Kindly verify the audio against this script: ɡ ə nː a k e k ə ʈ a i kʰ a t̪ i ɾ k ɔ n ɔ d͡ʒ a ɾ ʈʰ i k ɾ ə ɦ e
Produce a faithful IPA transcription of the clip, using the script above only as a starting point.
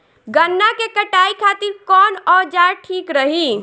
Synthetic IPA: ɡ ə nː a k e k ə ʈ a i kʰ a t̪ i ɾ k ɔ n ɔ d͡ʒ a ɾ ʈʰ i k ɾ ə ɦ i